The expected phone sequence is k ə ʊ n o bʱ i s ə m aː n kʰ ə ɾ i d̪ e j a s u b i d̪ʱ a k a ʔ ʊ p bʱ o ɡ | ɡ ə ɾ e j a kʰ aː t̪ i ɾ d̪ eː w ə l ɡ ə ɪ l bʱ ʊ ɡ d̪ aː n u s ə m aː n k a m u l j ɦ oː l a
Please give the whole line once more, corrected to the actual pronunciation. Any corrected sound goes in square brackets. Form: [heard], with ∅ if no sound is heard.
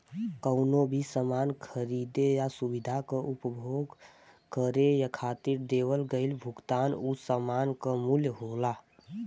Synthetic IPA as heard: k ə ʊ n o bʱ i s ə m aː n kʰ ə ɾ i d̪ e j a s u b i d̪ʱ a k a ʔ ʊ p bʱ o ɡ | [k] ə ɾ e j a kʰ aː t̪ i ɾ d̪ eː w ə l ɡ ə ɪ l bʱ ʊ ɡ [t̪] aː n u s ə m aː n k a m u l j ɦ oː l a